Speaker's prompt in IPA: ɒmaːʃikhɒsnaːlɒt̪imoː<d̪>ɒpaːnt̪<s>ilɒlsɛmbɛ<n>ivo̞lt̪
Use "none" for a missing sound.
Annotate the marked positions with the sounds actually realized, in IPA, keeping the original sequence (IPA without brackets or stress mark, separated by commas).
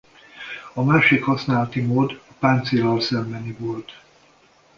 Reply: d̪, s, n